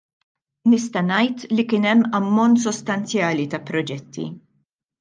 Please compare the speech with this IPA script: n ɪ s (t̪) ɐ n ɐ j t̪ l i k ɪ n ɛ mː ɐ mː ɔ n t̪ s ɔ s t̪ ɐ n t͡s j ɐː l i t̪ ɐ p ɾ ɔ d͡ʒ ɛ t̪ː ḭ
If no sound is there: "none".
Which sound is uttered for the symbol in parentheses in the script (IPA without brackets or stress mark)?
t̪